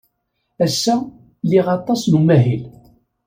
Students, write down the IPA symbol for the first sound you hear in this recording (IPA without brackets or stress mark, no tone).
æ